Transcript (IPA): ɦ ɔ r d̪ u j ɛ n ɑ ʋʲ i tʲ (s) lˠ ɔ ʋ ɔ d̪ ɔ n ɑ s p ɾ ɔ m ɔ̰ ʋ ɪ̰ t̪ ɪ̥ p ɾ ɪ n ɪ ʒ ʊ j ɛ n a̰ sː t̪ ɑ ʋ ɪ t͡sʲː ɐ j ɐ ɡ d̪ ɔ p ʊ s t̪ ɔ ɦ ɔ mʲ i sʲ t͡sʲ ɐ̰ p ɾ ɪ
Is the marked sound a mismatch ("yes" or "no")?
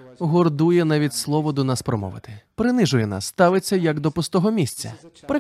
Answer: no